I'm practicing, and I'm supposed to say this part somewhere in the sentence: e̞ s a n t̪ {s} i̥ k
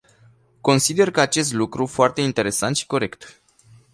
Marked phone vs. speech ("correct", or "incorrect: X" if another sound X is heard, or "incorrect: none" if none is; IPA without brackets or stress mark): incorrect: ʃ